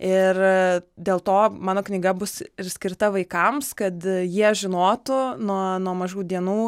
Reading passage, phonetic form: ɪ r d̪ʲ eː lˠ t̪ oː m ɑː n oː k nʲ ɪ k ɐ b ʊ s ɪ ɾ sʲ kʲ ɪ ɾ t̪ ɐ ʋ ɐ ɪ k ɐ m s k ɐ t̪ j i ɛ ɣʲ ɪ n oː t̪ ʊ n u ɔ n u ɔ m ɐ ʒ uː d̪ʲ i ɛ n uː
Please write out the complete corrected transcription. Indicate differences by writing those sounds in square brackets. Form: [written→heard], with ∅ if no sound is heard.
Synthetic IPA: ɪ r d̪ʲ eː lˠ t̪ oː m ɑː n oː k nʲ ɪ [k→ɡ] ɐ b ʊ s ɪ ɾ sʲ kʲ ɪ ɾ t̪ ɐ ʋ ɐ ɪ k ɐ m s k ɐ t̪ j i ɛ [ɣʲ→ʒʲ] ɪ n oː t̪ ʊ n u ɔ n u ɔ m ɐ ʒ uː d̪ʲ i ɛ n uː